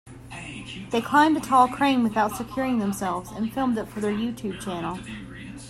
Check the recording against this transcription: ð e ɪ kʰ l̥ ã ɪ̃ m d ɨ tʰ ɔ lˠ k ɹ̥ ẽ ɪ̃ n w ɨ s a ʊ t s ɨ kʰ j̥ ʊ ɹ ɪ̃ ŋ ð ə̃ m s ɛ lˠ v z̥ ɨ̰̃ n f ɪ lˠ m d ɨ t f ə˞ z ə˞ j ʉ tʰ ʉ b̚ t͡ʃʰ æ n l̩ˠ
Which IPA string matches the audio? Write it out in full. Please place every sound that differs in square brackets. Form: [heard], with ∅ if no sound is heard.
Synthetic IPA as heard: ð e ɪ kʰ l̥ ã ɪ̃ m d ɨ tʰ ɔ lˠ [kʰ] ɹ̥ ẽ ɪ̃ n w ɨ [θ] a ʊ t s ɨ kʰ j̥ ʊ ɹ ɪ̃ ŋ ð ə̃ m s ɛ lˠ v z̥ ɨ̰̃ n f ɪ lˠ m d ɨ t f ə˞ [ð] ə˞ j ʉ tʰ ʉ b̚ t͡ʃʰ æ n l̩ˠ